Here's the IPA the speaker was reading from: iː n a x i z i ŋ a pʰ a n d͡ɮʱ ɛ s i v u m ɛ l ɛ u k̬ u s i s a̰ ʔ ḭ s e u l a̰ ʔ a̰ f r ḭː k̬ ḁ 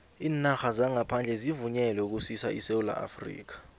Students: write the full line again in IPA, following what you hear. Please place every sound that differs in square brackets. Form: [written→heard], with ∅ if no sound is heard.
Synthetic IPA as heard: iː n a x [i→a] z [i→a] ŋ a pʰ a n d͡ɮʱ ɛ [s→z] i v u [m→ɲ] ɛ l ɛ u k̬ u s i s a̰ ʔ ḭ s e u l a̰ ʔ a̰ f r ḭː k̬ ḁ